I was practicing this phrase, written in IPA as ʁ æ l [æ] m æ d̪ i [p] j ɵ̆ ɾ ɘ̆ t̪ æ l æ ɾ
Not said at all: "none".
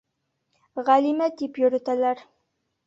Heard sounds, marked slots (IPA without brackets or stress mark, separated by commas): i, p